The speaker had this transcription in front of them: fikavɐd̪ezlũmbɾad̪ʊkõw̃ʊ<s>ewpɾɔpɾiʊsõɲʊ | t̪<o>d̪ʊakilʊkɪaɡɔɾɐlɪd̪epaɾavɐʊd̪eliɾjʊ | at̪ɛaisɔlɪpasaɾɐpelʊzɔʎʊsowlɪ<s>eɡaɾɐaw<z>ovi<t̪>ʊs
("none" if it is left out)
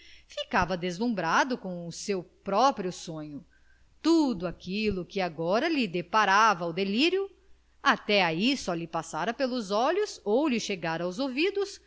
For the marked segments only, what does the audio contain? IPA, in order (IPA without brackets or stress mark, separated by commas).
s, u, ʃ, z, d̪